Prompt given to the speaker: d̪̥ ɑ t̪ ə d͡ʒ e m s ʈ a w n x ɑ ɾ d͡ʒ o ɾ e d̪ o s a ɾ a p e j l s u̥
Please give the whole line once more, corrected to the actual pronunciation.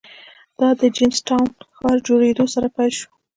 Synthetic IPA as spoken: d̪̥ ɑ d̪ ə d͡ʒ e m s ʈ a w n x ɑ ɾ d͡ʒ o ɽ e d̪ o s a ɾ a p a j l ʃ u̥